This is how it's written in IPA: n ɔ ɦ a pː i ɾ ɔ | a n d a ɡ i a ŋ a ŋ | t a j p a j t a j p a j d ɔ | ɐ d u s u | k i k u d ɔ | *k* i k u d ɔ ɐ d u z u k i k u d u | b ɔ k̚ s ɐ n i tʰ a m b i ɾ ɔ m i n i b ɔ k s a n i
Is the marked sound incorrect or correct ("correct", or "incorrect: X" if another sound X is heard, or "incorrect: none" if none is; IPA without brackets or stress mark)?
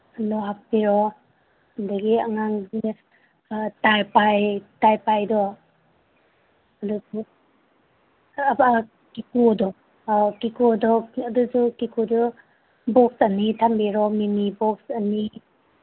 correct